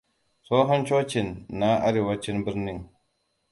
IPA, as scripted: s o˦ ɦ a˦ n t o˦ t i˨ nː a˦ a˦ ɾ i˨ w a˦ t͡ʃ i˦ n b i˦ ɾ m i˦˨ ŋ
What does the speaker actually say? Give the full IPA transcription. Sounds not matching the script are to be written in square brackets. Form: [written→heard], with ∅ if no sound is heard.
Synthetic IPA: s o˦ ɦ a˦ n [t→t͡ʃ] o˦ [t→t͡ʃ] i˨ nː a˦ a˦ ɾ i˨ w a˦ t͡ʃ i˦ n b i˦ ɾ [m→n] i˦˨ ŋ